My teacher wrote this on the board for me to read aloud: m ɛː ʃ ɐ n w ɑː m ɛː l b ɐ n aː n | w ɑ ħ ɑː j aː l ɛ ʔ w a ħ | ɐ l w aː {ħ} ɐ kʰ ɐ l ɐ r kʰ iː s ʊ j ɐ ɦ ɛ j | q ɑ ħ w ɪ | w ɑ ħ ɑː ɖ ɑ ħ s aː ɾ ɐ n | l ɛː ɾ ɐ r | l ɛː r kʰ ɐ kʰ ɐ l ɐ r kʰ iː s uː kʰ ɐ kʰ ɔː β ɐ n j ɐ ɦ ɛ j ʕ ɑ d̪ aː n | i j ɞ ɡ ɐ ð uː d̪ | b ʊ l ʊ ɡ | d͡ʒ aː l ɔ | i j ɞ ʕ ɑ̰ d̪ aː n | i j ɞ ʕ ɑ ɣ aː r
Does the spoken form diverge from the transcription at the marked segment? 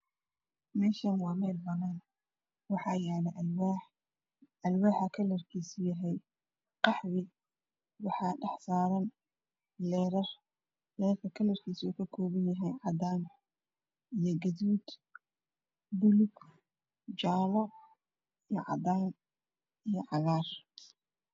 no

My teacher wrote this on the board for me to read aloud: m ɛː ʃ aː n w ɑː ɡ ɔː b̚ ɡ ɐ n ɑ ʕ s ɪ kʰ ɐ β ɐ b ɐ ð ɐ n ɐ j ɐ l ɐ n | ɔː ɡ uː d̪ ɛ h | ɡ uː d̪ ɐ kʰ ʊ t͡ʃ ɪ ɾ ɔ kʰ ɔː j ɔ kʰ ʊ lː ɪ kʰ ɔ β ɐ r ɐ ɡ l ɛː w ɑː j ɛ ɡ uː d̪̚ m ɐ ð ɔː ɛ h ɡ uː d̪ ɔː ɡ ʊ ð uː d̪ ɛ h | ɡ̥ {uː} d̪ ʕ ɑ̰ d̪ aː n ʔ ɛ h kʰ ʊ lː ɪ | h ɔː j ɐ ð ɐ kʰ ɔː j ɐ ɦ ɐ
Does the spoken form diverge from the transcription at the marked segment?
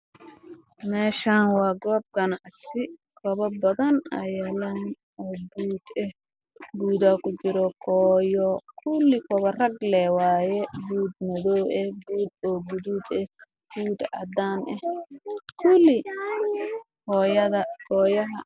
no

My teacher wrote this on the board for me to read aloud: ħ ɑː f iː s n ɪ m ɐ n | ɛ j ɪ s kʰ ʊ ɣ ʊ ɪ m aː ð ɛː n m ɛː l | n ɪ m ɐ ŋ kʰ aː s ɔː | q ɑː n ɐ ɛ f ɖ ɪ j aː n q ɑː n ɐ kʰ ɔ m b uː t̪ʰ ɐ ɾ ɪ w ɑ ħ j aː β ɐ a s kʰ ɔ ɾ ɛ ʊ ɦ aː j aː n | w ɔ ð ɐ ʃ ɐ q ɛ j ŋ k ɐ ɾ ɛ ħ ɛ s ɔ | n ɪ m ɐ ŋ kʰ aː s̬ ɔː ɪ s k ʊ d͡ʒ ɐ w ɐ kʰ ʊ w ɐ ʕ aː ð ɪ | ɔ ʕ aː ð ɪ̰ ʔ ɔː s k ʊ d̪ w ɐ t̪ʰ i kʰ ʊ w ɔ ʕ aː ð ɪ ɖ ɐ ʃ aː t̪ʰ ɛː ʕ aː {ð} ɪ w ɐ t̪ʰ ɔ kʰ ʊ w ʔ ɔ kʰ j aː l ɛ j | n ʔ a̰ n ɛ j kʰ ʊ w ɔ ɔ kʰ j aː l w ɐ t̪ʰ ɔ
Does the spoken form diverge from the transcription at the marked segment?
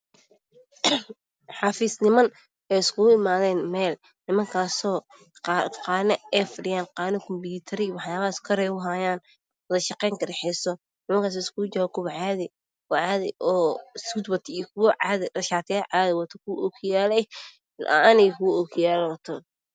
no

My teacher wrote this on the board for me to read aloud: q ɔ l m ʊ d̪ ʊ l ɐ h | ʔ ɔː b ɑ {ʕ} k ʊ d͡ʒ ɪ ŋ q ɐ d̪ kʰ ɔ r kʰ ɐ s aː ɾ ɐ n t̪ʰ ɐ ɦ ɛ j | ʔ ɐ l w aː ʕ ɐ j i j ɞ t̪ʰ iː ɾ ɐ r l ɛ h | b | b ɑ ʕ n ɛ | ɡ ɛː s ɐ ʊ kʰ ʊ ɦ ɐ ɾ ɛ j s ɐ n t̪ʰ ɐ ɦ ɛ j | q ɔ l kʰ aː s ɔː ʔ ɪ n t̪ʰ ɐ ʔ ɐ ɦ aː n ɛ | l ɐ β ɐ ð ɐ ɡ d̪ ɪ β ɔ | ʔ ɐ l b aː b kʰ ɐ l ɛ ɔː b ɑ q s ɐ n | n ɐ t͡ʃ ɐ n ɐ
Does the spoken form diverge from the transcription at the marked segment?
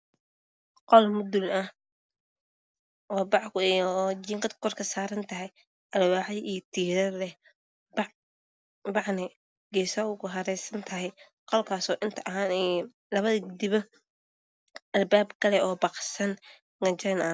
no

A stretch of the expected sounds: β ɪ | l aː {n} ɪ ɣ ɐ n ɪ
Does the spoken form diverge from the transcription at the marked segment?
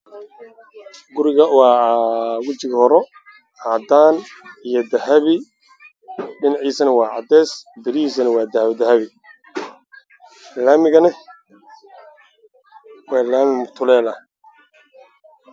yes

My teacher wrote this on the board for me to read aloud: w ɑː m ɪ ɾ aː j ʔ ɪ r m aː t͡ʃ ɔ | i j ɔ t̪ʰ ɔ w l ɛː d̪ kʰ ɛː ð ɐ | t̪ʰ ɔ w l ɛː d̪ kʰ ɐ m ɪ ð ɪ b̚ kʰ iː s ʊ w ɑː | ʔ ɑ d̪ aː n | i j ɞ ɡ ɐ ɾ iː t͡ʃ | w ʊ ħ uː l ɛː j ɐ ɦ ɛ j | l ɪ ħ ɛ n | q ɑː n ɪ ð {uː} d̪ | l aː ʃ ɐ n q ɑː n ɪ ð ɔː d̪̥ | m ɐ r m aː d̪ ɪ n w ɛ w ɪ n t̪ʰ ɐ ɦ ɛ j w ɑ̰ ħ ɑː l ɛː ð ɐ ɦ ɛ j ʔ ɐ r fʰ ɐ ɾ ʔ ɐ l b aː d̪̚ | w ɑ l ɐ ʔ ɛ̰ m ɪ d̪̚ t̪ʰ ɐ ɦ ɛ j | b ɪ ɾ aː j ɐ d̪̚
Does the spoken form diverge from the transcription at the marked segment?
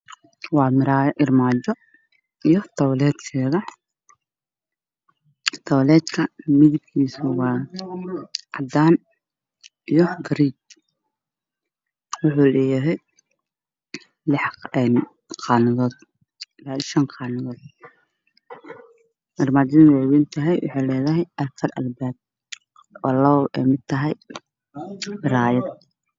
yes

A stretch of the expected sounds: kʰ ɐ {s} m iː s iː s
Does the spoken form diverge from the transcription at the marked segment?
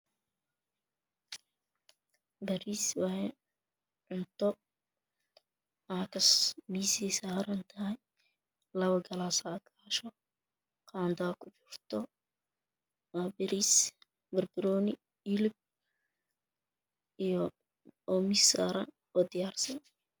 no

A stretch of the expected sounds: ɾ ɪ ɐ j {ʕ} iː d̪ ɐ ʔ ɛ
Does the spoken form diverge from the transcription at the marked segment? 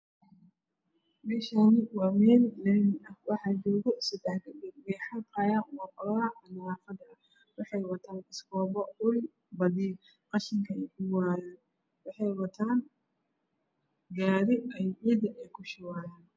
no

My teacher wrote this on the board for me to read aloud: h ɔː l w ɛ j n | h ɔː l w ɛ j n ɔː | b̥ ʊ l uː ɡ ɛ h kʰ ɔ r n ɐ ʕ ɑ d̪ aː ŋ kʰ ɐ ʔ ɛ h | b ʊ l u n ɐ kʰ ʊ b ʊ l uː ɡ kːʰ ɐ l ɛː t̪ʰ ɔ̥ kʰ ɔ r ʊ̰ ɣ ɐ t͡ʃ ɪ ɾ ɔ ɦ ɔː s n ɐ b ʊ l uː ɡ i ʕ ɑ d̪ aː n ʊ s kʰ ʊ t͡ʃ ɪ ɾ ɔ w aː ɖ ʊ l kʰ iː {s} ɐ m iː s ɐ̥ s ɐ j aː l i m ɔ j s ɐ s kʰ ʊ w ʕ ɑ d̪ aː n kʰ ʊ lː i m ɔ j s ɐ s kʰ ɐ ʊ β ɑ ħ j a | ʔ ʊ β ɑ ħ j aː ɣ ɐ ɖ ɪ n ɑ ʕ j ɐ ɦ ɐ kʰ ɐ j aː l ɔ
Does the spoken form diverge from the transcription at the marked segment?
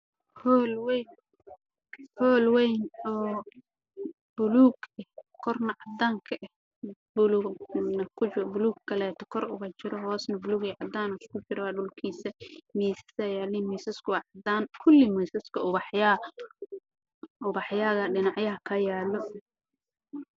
no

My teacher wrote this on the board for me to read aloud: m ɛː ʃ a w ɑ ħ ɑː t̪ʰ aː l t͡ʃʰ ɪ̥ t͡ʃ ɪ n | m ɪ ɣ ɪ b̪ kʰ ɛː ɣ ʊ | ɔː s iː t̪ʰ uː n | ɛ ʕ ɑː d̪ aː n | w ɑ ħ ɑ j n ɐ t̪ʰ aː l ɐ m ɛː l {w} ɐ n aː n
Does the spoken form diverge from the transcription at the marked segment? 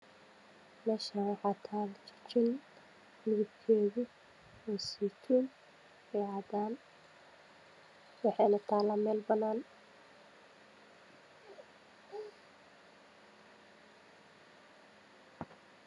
yes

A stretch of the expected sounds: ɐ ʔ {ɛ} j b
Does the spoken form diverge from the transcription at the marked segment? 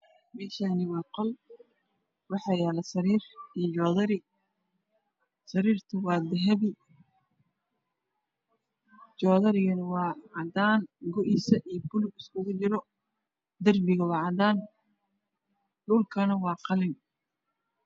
yes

